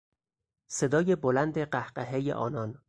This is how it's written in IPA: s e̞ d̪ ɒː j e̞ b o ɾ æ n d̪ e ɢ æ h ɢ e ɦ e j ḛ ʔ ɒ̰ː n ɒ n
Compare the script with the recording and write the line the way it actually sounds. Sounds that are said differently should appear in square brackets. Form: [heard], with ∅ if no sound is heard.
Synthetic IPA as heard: s e̞ d̪ ɒː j e̞ b o [l] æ n d̪ e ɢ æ h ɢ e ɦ e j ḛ ʔ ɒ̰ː n ɒ n